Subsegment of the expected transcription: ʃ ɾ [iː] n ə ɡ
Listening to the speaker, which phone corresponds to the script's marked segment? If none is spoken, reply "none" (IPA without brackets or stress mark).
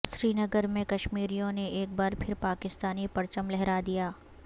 iː